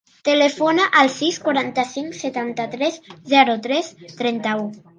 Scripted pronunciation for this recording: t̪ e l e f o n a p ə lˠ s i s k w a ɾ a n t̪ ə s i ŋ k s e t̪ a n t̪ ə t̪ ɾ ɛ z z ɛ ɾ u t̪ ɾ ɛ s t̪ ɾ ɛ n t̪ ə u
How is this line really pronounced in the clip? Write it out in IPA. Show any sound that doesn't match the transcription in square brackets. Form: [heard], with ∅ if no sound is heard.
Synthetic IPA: t̪ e l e f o n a [ʔ] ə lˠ s i s k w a ɾ a n t̪ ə s i ŋ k s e t̪ a n t̪ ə t̪ ɾ ɛ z z ɛ ɾ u t̪ ɾ ɛ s t̪ ɾ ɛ n t̪ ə u